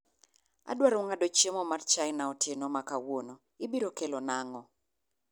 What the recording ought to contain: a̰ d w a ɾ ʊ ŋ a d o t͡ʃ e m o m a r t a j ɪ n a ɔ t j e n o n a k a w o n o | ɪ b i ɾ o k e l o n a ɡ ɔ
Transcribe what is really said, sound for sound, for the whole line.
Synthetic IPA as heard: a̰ d w a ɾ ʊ ŋ a d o t͡ʃ e m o m a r t͡ʃ a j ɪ n a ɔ t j e n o m a k a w o n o | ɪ b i ɾ o k e l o n a ŋ ɔ